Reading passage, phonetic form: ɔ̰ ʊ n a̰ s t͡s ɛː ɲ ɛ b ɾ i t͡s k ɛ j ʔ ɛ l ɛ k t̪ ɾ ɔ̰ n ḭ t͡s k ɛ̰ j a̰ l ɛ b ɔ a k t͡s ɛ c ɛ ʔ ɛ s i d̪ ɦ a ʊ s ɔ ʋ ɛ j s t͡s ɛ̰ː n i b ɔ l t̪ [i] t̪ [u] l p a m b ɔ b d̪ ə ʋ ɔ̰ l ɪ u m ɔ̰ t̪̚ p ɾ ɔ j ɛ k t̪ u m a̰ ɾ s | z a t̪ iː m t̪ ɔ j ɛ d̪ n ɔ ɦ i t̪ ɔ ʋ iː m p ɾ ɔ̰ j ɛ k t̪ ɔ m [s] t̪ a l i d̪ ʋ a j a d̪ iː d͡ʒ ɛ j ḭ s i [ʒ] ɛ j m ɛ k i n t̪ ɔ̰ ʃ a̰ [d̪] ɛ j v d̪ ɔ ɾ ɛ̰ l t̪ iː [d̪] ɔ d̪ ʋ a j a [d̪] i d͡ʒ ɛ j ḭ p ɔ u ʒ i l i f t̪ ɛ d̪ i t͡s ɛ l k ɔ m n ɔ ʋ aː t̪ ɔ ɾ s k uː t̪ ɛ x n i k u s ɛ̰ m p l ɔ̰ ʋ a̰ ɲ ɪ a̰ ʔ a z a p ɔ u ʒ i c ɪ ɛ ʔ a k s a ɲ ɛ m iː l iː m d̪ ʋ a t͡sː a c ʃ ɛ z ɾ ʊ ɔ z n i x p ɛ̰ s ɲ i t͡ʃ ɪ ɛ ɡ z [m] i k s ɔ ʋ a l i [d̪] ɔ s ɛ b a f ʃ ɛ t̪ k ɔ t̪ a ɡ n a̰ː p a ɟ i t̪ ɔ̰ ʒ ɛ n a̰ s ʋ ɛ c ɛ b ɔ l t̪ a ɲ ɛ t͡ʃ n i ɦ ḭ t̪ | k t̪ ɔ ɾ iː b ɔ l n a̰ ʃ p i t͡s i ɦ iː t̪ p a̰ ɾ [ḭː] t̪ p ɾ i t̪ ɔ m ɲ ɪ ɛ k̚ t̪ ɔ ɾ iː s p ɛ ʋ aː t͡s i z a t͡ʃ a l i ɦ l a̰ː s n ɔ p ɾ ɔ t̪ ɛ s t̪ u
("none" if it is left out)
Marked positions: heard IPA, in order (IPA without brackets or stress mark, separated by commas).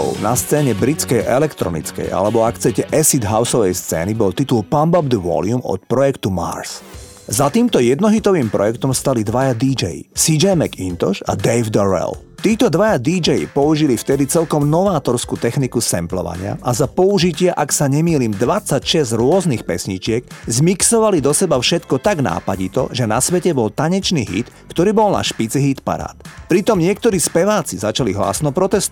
i, u, s, d͡ʒ, d̪, t̪, d̪, m, d̪, a̰ː